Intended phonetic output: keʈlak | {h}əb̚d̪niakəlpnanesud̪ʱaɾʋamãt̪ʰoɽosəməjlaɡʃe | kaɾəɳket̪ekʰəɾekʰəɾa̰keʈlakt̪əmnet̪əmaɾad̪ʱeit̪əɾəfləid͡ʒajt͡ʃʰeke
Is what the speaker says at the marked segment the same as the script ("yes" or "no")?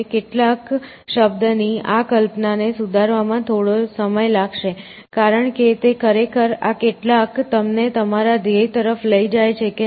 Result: no